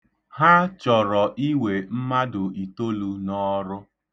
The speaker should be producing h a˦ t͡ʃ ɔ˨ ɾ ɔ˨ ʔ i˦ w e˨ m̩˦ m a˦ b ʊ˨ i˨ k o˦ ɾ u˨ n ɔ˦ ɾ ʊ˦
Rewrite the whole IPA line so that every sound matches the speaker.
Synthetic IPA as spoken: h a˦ t͡ʃ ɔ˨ ɾ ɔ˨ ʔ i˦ w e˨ m̩˦ m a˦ d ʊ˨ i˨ t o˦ l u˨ n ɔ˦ ɾ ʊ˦